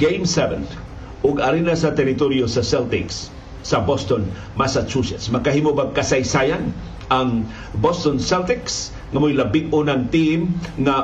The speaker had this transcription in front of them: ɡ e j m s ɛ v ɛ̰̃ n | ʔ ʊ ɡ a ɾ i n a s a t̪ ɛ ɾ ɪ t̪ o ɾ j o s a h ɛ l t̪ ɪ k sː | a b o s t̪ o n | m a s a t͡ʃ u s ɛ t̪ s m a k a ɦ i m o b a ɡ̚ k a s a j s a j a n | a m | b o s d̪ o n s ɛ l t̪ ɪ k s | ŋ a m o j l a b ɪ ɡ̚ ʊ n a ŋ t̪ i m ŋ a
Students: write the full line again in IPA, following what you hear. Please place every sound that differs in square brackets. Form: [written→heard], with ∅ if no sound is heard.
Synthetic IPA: ɡ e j m s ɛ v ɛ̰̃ n | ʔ ʊ ɡ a ɾ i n a s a t̪ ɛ ɾ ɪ t̪ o ɾ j o s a [h→s] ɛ l t̪ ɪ k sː | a b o s t̪ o n | m a s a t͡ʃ u s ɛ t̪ s m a k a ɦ i m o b a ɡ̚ k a s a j s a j a n | a [m→ŋ] | b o s [d̪→t̪] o n s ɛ l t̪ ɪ k s | ŋ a m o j l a b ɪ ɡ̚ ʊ n a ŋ t̪ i m ŋ a